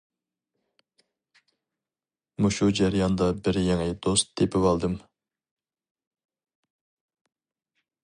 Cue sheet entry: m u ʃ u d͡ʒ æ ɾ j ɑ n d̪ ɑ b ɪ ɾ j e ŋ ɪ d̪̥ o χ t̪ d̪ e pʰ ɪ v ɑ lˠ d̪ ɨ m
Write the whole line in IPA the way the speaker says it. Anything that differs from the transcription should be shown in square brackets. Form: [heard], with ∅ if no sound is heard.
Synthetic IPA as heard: m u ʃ u d͡ʒ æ ɾ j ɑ n d̪ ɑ b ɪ ɾ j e ŋ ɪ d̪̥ o [s] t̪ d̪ e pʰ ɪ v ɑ lˠ d̪ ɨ m